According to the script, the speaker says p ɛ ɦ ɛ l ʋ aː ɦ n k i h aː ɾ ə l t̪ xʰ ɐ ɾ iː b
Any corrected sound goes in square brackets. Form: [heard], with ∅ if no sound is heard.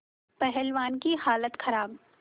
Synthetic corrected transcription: p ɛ ɦ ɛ l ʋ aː [∅] n k i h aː [l] ə [∅] t̪ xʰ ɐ ɾ [aː] b